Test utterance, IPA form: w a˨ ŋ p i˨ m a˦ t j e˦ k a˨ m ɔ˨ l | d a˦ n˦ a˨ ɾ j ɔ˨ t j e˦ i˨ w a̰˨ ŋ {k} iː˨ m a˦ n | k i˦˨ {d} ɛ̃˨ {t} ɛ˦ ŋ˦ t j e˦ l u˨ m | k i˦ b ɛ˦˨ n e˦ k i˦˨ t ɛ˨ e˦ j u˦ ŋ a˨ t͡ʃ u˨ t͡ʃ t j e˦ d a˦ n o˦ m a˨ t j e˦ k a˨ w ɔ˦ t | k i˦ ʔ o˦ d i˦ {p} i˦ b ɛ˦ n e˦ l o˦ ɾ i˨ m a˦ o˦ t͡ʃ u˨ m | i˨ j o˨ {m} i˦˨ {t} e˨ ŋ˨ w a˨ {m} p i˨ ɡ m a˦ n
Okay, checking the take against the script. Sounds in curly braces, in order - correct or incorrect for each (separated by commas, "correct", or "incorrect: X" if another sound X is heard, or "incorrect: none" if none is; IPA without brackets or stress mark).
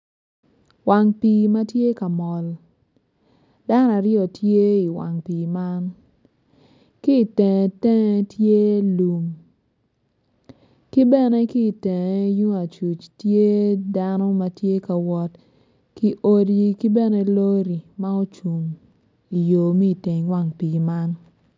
incorrect: p, incorrect: t, correct, incorrect: k, correct, correct, incorrect: ŋ